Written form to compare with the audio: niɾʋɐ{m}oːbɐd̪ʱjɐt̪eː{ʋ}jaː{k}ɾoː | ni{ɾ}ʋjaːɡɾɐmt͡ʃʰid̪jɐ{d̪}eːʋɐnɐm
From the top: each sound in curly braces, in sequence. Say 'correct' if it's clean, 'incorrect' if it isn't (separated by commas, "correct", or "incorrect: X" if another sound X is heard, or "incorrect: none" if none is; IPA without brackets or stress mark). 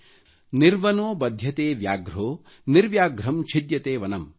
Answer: incorrect: n, correct, incorrect: ɡ, correct, incorrect: t̪